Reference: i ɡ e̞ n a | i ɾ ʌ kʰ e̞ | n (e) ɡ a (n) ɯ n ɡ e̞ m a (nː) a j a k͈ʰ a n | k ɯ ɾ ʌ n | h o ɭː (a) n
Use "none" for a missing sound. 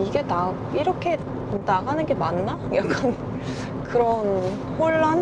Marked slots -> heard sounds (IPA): a, n, nː, a

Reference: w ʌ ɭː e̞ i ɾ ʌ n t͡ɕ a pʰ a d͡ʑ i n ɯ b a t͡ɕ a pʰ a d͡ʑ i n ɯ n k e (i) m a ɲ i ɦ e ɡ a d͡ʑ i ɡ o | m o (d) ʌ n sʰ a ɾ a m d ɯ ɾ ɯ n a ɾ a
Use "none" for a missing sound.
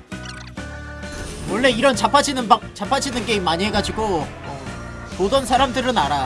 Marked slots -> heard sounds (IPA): i, d

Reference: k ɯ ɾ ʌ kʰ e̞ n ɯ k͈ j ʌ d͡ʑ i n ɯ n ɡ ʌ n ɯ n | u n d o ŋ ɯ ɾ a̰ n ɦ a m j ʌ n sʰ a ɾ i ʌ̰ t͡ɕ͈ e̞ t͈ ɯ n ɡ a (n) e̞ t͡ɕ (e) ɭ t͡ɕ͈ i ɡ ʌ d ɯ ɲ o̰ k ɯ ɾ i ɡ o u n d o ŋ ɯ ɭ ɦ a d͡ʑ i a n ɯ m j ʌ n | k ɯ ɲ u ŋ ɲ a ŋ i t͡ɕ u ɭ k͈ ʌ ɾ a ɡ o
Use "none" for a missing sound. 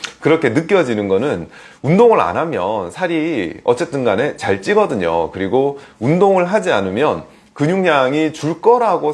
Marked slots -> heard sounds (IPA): n, a

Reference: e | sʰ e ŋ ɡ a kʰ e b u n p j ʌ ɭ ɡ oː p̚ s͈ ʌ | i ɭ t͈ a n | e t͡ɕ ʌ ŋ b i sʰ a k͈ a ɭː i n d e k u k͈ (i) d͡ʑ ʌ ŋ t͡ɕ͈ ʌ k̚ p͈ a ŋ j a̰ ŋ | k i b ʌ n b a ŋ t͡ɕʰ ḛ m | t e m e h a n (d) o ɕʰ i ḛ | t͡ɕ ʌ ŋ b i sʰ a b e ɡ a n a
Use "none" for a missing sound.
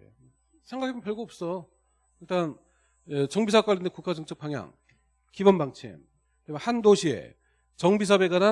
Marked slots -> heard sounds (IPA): a, d

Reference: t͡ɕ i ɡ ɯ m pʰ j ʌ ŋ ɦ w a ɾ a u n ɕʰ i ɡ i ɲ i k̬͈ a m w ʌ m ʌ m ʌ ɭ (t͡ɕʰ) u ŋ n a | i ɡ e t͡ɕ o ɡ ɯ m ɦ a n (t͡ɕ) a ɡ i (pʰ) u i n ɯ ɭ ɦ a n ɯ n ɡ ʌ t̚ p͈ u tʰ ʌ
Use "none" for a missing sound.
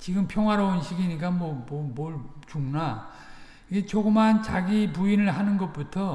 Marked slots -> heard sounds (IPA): t͡ɕ, t͡ɕ, p

